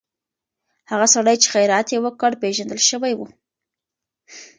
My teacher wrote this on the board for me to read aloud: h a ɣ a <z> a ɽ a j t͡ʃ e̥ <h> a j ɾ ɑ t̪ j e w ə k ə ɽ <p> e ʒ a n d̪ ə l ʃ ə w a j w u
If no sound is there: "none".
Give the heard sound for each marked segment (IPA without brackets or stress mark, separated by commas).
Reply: s, x, p